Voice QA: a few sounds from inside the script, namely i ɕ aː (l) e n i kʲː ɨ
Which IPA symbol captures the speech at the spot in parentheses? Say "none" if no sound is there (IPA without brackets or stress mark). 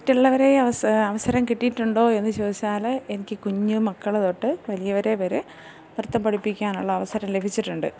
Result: l